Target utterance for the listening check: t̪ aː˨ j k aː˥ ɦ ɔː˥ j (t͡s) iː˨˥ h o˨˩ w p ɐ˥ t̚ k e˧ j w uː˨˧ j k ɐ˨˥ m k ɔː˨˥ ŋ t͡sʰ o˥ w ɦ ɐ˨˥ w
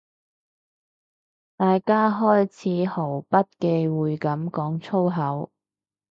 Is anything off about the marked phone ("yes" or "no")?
yes